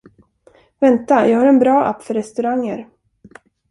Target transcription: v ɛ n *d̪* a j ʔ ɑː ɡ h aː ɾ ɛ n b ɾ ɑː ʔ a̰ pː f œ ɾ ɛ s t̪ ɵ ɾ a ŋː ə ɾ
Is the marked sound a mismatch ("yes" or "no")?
yes